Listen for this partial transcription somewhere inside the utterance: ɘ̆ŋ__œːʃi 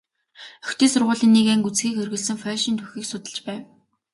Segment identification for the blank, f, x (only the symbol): f